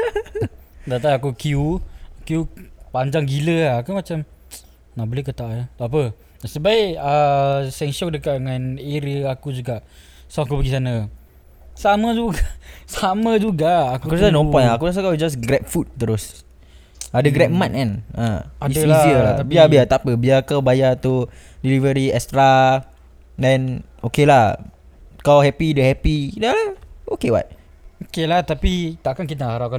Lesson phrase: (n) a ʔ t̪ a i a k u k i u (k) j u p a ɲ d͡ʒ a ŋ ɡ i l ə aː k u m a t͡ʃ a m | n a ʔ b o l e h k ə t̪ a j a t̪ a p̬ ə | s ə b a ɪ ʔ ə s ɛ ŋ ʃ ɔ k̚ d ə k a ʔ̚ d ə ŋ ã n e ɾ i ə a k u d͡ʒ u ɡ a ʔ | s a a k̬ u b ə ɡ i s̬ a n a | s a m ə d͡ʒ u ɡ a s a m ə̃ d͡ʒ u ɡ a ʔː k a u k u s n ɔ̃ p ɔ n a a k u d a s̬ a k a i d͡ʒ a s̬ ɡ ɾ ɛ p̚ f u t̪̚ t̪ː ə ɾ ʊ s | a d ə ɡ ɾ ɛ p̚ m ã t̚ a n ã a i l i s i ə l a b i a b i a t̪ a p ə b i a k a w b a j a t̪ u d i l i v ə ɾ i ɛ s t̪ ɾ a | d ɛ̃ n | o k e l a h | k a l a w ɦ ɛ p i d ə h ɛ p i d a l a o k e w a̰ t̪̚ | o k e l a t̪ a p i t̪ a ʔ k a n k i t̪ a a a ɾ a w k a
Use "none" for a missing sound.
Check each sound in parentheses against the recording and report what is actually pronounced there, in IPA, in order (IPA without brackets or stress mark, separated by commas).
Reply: d, k